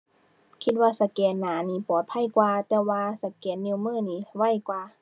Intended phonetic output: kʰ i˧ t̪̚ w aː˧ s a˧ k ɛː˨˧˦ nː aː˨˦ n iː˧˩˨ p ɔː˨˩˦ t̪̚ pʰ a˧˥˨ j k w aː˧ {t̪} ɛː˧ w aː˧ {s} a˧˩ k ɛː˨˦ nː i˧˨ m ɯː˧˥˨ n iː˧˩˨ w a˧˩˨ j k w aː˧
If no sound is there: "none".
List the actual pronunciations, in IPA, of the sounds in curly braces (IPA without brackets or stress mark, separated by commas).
t̪, s